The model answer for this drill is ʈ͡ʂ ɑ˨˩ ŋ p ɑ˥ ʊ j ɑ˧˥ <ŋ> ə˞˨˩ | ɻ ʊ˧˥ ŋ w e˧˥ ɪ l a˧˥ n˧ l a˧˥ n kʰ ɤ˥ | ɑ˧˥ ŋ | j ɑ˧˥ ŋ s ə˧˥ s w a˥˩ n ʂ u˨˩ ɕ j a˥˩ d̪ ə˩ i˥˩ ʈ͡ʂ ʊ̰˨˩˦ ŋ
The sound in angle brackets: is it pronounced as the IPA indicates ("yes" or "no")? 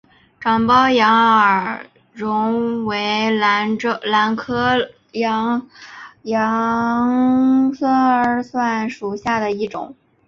yes